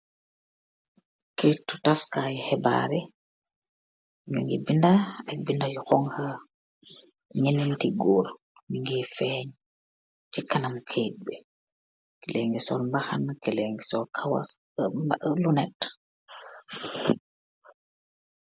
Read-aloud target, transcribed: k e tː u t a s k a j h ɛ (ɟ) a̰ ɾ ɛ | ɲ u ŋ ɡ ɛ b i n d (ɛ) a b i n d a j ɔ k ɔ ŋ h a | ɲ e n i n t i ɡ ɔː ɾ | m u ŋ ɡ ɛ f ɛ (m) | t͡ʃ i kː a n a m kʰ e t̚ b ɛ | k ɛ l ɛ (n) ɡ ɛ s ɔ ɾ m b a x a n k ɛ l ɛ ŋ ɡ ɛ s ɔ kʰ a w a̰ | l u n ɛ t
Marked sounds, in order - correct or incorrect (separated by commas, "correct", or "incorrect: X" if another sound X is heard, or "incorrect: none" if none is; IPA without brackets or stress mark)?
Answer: incorrect: b, incorrect: a, incorrect: ɲ, incorrect: ŋ